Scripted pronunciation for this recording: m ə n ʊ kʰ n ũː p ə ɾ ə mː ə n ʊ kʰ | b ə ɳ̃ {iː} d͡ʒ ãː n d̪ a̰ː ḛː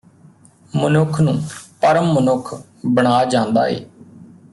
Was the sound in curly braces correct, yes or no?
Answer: no